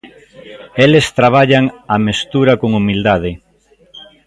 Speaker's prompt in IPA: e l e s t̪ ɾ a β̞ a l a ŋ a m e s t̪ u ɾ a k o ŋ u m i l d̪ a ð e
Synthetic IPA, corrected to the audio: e l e s t̪ ɾ a β̞ a ʎ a ŋ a m e s t̪ u ɾ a k o ŋ u m i l d̪ a ð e